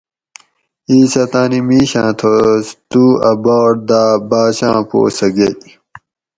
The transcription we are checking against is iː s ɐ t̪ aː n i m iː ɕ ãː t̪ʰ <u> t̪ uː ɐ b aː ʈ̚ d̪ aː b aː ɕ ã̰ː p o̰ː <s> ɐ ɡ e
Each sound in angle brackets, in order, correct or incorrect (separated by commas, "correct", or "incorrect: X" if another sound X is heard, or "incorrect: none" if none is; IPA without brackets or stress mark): incorrect: o, correct